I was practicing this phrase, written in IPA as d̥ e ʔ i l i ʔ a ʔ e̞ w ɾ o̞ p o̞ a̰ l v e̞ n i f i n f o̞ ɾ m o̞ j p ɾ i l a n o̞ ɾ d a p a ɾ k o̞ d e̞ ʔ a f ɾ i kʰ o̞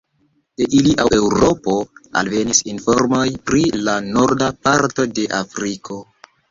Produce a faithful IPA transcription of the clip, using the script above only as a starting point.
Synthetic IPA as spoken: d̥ e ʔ i l i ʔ a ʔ e̞ w ɾ o̞ p o̞ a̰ l v e̞ n i s i n f o̞ ɾ m o̞ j p ɾ i l a n o̞ ɾ d a p a ɾ t o̞ d e̞ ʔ a f ɾ i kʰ o̞